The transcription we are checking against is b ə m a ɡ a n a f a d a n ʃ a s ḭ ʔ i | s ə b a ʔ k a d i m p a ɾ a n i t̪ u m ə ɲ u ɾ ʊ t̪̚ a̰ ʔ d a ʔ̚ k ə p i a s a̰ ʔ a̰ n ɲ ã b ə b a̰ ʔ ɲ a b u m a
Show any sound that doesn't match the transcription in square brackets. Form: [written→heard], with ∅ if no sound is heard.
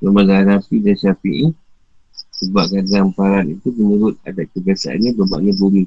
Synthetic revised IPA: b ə m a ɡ a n a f [a→i] d a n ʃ a [s→f] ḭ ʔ i | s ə b a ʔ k a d [i→a] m p a ɾ a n i t̪ u m ə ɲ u ɾ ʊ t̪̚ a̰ [ʔ→∅] d a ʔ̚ k ə [p→b] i a s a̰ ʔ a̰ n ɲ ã b ə b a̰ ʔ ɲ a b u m [a→i]